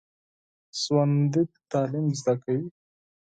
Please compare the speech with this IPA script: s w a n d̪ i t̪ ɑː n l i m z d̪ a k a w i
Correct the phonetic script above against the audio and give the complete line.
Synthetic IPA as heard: s w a n d̪ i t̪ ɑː l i m z d̪ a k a w i